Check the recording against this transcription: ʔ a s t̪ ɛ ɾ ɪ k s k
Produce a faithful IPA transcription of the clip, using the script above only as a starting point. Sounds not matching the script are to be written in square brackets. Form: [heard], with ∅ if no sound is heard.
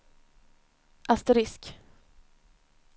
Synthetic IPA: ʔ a s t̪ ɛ ɾ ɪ [∅] s k